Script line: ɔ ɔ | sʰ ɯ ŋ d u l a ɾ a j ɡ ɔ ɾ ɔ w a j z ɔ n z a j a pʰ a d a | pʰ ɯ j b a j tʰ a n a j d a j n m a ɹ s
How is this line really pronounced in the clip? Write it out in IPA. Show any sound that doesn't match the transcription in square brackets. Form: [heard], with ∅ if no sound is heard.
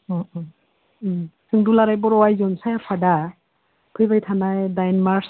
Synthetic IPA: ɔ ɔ | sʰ ɯ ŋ d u l a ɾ a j [b] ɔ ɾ ɔ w a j z ɔ n [s] a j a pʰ a d a | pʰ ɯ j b a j tʰ a n a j d a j n m a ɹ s